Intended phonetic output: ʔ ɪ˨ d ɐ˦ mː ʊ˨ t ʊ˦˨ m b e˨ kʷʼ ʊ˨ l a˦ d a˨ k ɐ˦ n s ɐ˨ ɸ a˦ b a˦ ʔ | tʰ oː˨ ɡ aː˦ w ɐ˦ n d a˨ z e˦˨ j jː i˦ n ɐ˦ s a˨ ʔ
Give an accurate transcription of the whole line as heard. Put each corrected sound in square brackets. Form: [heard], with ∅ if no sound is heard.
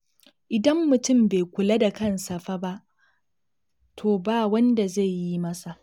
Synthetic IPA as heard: ʔ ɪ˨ d ɐ˦ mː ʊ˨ t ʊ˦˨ m b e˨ [kʷ] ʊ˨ l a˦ d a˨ k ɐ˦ n s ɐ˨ ɸ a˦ b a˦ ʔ | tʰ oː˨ [b] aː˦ w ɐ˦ n d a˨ z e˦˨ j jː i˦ [m] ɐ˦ s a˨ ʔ